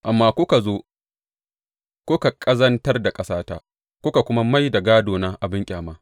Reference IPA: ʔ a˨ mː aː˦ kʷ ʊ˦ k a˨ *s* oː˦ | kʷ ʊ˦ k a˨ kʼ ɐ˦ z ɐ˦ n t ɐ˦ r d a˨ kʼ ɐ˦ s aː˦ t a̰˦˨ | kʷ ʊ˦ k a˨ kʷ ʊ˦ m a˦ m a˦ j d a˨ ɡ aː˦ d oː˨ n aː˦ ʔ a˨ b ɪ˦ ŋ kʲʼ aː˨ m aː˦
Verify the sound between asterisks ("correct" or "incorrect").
incorrect